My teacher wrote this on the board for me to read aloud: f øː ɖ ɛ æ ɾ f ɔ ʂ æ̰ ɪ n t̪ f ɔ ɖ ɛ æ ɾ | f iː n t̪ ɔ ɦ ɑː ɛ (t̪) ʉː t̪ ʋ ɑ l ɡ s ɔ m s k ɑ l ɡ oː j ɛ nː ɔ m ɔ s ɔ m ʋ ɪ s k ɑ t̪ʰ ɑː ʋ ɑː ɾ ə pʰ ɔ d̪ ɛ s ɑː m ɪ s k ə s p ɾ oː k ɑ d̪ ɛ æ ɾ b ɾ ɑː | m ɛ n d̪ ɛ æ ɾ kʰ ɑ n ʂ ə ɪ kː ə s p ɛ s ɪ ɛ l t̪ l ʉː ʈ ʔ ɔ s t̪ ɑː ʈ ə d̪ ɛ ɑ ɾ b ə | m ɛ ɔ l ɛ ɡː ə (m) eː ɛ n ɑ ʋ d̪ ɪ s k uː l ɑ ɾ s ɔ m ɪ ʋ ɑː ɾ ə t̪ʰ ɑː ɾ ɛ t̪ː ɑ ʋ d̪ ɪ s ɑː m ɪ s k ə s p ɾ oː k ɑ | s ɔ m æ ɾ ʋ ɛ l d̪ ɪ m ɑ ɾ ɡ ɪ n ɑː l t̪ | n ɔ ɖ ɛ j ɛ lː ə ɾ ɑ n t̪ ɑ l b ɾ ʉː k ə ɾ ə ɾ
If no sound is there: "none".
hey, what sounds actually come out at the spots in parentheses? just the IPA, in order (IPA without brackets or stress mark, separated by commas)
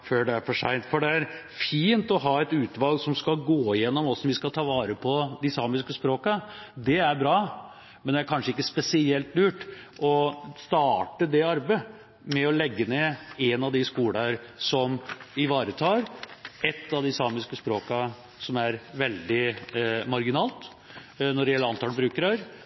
t̪, n